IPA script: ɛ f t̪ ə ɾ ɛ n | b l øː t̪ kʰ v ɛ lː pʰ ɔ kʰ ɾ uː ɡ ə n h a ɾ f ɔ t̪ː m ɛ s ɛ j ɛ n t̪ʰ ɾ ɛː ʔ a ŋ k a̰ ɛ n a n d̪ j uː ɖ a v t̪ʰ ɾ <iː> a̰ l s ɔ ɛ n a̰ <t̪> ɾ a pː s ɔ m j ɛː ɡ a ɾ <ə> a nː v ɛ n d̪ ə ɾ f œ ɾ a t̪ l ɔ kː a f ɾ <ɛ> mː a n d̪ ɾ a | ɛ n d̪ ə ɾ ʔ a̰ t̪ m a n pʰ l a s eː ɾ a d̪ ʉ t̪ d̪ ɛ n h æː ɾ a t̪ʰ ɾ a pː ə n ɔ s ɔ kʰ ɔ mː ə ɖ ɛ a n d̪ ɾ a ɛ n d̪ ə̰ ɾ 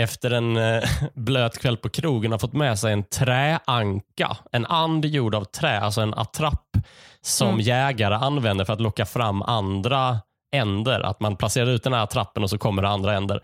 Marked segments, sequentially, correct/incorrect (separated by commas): incorrect, incorrect, correct, incorrect